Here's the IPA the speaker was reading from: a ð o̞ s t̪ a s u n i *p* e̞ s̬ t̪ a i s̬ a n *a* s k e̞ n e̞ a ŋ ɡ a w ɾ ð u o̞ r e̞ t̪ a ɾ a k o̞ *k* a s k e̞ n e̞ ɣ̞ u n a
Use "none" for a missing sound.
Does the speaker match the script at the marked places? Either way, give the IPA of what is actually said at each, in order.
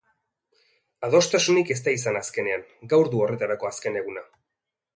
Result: k, a, none

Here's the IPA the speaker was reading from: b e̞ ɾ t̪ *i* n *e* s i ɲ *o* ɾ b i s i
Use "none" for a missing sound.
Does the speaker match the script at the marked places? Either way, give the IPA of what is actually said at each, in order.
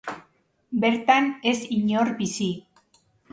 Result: a, e, o

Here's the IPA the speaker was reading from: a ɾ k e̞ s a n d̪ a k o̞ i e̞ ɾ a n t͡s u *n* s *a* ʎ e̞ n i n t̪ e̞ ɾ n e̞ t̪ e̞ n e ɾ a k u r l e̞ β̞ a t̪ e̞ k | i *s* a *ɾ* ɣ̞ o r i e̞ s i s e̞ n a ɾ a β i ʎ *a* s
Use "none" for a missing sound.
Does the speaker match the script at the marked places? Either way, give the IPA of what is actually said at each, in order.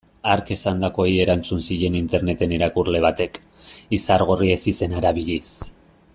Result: n, i, s, ɾ, i

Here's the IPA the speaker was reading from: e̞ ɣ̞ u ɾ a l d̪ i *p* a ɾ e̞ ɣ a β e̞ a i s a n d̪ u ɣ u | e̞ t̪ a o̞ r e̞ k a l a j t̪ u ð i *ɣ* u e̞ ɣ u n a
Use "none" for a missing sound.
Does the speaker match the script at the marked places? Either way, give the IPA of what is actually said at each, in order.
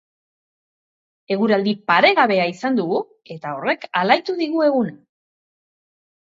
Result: p, ɣ

